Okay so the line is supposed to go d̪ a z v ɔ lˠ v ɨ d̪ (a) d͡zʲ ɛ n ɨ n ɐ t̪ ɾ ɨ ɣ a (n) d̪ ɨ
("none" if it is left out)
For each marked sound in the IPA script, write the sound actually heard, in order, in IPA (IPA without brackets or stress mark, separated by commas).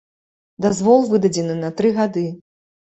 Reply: ɐ, none